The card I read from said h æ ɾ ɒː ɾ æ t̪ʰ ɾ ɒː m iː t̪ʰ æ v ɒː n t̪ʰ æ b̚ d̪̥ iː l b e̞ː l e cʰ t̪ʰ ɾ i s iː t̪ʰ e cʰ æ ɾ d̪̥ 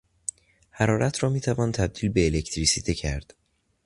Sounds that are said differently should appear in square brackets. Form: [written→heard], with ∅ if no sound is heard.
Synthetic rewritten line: h æ ɾ ɒː ɾ æ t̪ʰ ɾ ɒː m iː t̪ʰ æ v ɒː n t̪ʰ æ b̚ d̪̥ iː l b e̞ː l e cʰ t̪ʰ ɾ i s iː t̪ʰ e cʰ æ ɾ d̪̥